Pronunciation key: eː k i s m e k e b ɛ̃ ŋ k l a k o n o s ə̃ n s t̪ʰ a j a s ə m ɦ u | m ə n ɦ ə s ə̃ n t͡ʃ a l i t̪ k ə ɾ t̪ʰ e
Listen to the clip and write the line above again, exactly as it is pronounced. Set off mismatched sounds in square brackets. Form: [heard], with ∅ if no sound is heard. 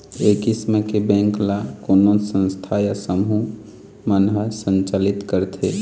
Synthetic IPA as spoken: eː k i s m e k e b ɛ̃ ŋ k l a k o n o s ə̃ n s t̪ʰ a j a s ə m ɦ u | m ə n ɦ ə s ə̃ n t͡ʃ a l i t̪ k ə ɾ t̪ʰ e